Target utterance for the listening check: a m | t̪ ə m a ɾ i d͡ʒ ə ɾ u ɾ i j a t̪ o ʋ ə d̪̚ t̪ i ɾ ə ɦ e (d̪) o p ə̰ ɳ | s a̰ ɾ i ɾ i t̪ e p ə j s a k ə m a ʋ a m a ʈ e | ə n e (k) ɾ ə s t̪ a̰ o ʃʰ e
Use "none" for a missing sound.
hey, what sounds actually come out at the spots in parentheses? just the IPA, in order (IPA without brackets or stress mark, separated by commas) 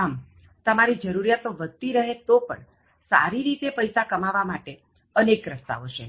t̪, k